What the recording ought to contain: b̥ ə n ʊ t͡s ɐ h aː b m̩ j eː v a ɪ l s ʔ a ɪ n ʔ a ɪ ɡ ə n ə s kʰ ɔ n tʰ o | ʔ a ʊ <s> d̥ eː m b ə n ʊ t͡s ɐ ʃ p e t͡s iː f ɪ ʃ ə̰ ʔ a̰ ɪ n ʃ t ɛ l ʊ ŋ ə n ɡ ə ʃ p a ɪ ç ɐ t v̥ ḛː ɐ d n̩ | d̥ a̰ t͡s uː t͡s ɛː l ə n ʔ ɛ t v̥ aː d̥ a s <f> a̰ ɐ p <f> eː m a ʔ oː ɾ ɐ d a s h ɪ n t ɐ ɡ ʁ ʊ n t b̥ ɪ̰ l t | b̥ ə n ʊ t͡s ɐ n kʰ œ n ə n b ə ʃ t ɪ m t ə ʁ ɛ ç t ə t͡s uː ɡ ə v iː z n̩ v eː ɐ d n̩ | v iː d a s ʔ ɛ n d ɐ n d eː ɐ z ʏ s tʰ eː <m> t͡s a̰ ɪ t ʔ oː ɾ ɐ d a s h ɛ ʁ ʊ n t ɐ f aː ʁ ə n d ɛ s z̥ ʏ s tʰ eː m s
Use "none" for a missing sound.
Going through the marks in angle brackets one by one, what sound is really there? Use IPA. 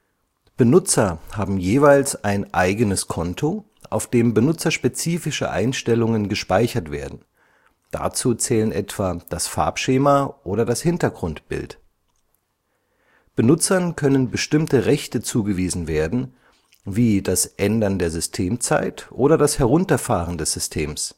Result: f, f, ʃ, m

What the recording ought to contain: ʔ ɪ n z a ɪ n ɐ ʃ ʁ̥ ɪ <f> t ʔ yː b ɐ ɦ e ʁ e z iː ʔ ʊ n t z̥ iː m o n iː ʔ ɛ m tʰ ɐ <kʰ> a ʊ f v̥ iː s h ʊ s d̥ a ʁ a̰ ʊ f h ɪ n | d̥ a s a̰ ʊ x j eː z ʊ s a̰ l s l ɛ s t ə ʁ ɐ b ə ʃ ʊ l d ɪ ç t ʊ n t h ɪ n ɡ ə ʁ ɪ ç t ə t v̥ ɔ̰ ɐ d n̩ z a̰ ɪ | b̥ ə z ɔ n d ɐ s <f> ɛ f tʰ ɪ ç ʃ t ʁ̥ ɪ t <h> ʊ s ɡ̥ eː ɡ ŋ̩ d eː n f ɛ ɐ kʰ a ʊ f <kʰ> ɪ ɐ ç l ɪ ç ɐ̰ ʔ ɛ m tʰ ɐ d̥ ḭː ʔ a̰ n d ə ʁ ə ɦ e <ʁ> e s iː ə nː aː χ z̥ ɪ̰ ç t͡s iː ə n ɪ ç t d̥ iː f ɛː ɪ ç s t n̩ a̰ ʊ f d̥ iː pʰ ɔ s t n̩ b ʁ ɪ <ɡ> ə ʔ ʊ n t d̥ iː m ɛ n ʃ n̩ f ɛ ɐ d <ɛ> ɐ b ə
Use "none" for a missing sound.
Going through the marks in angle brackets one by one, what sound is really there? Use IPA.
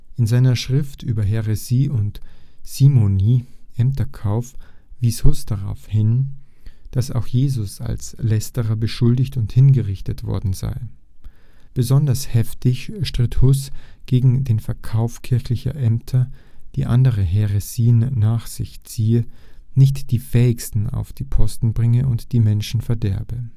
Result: f, kʰ, h, h, kʰ, ʁ, ŋ, ɛ

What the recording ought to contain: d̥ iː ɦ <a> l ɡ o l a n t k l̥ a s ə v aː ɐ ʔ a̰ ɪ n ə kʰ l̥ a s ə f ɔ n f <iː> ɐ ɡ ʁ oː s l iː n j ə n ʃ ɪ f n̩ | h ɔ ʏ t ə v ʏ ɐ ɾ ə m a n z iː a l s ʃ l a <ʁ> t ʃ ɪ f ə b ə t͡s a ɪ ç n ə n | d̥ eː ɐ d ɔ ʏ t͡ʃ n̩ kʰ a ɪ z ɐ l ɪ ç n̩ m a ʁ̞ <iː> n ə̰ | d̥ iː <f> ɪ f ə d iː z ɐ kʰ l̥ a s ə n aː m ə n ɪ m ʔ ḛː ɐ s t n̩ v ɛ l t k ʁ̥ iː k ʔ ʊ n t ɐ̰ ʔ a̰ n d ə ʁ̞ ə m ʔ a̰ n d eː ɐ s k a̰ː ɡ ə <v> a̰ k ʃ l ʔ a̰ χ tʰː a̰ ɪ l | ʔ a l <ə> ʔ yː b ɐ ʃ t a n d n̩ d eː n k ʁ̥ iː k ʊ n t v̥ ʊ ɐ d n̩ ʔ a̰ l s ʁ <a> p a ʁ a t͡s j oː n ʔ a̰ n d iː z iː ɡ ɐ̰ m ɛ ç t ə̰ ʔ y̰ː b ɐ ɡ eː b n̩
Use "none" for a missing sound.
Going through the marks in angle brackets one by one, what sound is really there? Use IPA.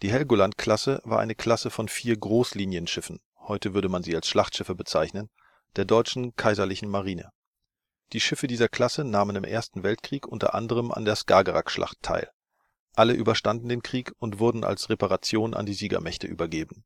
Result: ɛ, iː, χ, iː, ʃ, ʁ, ə, e

